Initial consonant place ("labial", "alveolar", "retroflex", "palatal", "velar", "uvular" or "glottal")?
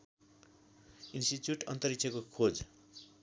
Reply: alveolar